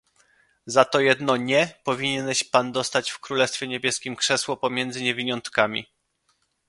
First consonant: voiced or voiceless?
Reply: voiced